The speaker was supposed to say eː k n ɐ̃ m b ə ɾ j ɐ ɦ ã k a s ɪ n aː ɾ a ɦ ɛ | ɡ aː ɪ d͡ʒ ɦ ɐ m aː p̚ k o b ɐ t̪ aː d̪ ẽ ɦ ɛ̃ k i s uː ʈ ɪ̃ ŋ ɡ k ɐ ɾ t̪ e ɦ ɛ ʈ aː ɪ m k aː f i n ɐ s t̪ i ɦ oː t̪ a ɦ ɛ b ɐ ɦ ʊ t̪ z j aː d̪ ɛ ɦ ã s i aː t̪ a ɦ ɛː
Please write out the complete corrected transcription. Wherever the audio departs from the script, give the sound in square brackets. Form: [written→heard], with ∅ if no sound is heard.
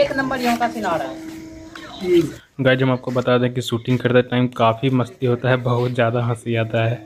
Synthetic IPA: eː k n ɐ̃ m b ə ɾ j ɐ ɦ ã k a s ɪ n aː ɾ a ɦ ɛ | ɡ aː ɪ d͡ʒ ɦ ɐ m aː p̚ k o b ɐ t̪ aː d̪ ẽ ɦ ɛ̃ k i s uː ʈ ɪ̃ ŋ ɡ k ɐ ɾ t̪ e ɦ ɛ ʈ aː ɪ m k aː f i [n→m] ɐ s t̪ i ɦ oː t̪ a ɦ ɛ b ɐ ɦ ʊ t̪ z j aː d̪ [ɛ→a] ɦ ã s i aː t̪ a ɦ ɛː